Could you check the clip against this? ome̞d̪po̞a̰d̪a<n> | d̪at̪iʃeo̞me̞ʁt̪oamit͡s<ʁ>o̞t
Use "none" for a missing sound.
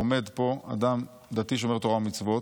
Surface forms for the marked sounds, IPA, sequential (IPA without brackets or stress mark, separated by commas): m, v